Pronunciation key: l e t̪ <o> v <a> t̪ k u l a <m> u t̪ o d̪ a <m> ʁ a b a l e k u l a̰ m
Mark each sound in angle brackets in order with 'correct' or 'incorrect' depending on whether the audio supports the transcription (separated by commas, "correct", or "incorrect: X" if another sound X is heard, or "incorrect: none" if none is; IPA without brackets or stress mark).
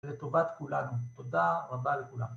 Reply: correct, correct, incorrect: n, incorrect: none